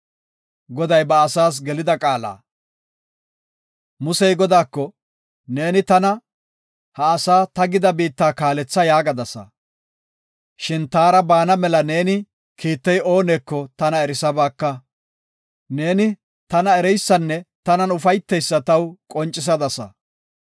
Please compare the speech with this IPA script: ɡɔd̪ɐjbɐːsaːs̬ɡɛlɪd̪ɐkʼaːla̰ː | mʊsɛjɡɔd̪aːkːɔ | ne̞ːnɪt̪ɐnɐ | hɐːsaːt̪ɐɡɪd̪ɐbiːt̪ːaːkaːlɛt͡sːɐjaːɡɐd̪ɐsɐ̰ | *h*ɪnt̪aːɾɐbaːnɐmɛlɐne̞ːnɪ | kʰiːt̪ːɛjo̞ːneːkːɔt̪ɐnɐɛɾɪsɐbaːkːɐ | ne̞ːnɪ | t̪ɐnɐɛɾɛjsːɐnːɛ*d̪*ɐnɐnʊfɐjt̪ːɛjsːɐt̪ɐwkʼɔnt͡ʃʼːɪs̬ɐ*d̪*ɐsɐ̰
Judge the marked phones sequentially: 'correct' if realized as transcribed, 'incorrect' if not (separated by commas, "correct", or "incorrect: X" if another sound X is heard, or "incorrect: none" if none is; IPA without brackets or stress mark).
incorrect: ʃ, incorrect: t̪, correct